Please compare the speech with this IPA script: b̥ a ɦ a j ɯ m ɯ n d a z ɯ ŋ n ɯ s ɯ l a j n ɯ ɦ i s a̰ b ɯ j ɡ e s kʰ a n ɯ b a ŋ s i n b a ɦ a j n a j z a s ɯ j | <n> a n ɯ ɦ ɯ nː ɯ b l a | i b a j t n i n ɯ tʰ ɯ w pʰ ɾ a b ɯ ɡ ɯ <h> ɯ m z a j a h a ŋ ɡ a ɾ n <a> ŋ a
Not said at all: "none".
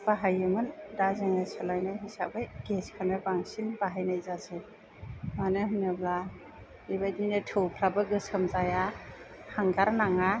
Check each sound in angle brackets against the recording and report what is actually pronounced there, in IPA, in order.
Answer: m, s, a

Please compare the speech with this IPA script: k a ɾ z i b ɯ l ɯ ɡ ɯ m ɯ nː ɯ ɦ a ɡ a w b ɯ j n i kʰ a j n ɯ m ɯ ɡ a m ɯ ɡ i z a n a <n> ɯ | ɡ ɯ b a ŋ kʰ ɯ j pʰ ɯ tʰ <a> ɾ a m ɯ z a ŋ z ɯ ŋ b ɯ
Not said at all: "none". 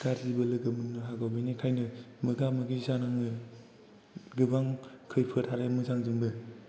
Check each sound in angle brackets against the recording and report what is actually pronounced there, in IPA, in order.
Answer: ŋ, a

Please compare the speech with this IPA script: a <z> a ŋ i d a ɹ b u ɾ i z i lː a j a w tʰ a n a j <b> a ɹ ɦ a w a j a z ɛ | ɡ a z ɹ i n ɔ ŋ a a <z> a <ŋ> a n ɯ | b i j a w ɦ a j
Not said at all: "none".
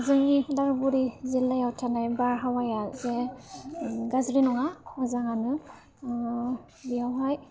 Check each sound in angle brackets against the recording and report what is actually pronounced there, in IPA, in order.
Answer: z, b, z, ŋ

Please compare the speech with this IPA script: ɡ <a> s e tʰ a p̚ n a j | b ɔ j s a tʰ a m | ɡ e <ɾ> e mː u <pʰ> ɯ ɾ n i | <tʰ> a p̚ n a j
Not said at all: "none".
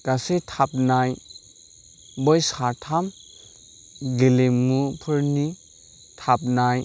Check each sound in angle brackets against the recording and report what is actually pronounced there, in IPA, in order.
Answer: a, l, pʰ, tʰ

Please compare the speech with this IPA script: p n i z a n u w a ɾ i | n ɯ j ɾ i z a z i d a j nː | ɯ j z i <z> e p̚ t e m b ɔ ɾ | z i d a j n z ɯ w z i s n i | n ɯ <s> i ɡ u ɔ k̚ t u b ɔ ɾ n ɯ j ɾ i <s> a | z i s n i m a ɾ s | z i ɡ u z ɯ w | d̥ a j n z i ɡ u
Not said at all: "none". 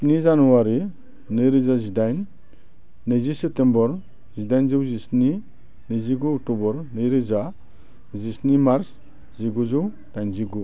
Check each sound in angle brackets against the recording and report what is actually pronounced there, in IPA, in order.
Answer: s, z, z

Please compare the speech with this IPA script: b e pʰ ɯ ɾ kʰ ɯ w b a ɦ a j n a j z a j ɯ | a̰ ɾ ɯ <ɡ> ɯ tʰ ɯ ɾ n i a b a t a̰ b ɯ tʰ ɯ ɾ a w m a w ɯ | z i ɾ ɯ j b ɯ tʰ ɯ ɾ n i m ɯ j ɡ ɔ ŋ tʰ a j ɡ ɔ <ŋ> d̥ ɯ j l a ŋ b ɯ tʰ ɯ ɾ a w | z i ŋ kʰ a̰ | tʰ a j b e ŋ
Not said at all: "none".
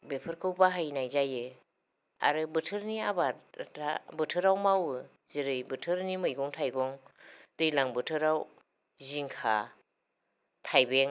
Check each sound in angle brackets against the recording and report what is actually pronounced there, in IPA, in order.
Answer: b, ŋ

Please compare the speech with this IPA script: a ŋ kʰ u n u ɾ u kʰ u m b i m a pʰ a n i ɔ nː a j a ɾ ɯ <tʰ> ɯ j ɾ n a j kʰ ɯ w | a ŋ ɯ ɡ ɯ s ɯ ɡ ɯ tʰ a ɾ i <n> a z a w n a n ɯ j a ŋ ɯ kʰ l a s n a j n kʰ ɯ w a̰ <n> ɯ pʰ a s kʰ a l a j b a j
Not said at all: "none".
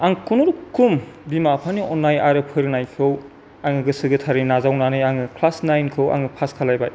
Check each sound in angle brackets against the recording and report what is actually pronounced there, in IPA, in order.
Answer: pʰ, n, ŋ

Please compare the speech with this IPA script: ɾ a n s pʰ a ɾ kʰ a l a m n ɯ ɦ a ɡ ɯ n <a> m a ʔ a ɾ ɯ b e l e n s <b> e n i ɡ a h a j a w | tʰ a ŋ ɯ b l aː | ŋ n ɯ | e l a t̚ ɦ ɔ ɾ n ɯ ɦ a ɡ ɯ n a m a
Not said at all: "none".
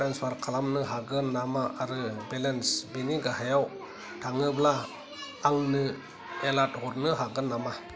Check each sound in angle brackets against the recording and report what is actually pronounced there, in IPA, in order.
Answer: a, b

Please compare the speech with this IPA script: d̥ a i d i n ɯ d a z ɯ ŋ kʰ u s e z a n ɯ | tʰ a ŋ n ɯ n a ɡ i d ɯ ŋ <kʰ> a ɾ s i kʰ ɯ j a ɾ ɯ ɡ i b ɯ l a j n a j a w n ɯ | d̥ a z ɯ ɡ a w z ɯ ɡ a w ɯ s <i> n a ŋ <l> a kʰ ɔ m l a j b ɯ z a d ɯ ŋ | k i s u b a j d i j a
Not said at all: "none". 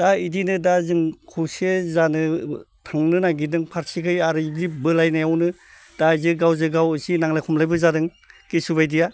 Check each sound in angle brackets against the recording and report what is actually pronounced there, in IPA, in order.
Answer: pʰ, i, l

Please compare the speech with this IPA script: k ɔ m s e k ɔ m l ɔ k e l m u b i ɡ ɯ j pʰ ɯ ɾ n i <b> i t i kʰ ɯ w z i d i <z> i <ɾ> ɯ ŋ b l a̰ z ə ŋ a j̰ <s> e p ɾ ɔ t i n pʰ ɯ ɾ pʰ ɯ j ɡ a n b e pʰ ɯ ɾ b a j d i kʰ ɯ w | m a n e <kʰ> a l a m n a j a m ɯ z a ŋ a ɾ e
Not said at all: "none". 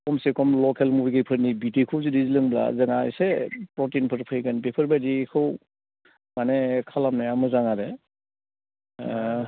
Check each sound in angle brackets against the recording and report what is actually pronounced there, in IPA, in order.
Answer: b, z, l, s, kʰ

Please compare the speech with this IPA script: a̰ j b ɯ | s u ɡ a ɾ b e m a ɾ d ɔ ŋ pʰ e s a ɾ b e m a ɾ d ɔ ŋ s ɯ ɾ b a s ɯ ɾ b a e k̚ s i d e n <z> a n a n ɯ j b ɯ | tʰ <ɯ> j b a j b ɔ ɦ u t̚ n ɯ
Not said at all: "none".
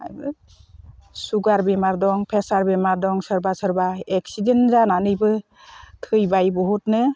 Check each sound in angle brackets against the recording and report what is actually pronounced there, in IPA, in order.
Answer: z, ɯ

